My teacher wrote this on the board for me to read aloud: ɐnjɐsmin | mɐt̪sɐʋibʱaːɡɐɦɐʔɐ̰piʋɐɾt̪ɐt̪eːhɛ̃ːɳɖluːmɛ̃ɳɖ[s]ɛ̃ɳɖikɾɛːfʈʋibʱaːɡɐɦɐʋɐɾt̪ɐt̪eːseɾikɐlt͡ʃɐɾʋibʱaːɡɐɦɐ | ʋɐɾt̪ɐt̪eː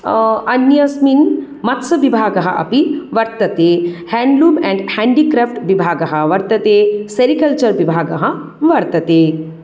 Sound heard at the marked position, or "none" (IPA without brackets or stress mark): h